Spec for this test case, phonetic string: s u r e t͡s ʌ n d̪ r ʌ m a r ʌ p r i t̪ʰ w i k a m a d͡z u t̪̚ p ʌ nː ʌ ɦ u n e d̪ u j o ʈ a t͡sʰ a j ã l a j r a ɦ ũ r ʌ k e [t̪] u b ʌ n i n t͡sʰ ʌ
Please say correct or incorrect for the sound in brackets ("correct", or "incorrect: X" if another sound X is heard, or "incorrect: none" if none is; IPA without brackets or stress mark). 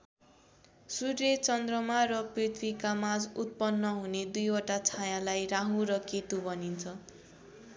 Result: correct